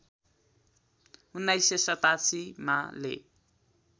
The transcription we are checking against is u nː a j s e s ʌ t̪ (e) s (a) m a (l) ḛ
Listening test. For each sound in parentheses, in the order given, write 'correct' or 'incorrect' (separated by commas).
incorrect, incorrect, correct